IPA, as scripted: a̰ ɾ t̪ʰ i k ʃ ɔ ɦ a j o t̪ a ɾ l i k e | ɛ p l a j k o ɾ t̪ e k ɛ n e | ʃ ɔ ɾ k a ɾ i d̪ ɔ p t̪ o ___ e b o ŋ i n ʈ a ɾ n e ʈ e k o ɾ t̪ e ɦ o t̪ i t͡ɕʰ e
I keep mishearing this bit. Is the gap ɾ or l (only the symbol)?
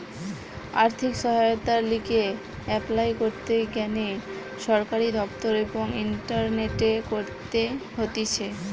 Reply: ɾ